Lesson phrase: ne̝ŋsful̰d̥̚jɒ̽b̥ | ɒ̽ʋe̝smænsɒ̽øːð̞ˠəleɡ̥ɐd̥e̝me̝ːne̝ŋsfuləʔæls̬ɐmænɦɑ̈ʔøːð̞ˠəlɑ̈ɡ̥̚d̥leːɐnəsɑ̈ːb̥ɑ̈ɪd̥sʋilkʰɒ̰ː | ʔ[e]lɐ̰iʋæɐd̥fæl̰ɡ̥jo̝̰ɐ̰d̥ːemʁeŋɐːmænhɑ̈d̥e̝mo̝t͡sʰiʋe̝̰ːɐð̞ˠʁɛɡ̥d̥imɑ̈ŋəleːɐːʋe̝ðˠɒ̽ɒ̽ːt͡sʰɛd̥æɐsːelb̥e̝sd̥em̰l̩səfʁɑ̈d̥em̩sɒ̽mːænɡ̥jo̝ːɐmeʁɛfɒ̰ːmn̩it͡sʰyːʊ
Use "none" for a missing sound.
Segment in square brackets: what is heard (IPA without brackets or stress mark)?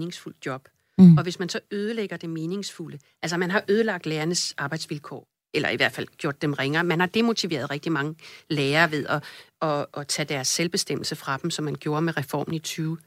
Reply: e